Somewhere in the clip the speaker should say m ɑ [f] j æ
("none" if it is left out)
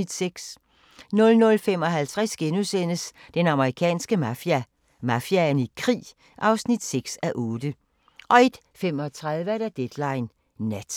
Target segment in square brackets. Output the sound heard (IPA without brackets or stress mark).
f